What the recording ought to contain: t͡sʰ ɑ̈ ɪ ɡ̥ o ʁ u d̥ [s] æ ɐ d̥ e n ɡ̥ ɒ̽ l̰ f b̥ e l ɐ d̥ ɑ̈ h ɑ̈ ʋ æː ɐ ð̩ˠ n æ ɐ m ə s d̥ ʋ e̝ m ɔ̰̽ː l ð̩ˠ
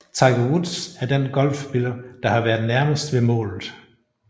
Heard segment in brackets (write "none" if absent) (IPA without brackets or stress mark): s